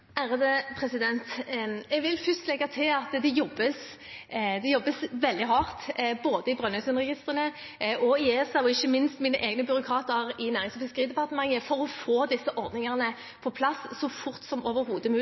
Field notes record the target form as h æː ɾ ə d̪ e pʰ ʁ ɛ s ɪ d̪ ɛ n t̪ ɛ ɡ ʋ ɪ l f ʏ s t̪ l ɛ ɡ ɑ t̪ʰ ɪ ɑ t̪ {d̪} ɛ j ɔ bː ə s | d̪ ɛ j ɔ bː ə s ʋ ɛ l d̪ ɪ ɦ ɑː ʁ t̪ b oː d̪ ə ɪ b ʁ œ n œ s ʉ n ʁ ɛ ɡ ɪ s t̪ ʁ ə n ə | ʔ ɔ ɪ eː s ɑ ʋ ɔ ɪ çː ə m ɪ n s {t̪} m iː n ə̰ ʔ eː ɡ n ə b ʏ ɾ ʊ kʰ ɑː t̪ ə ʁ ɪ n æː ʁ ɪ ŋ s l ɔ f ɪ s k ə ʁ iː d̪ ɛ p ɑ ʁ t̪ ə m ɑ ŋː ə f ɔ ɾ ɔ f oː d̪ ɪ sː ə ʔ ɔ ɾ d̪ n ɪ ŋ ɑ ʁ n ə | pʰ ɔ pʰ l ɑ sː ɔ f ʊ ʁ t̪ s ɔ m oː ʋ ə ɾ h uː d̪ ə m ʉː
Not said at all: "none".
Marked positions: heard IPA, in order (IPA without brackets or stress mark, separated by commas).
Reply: d̪, t̪